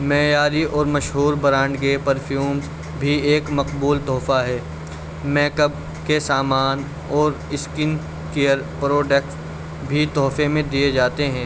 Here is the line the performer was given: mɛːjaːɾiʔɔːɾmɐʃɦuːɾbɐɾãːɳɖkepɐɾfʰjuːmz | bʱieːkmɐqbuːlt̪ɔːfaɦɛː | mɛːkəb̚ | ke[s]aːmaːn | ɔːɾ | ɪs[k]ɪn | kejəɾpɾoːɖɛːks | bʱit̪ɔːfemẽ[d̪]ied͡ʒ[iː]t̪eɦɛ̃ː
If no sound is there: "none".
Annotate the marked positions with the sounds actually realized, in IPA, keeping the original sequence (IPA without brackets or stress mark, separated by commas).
s, k, d̪, aː